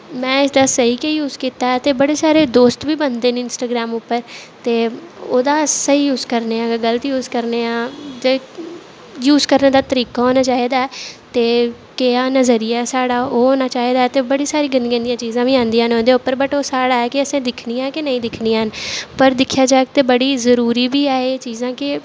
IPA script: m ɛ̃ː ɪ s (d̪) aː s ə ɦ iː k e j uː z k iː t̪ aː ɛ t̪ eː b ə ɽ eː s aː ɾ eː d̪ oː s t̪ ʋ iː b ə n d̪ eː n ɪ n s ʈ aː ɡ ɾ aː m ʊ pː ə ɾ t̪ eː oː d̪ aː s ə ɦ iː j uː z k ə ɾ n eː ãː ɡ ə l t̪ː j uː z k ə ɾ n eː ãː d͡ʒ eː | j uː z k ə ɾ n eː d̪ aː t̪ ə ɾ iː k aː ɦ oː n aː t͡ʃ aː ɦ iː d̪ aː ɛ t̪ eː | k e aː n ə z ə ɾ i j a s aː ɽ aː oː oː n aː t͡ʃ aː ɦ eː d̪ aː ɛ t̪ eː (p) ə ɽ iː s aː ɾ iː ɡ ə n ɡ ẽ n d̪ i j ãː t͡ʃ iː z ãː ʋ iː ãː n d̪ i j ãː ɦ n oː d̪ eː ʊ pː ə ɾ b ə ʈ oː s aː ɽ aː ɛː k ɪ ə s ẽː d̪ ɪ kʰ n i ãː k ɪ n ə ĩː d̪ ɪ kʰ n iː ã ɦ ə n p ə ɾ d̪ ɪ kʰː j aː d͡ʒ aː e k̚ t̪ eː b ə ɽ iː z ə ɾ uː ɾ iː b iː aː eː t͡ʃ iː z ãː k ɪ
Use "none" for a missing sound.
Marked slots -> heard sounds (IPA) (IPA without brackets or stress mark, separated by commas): d̪, b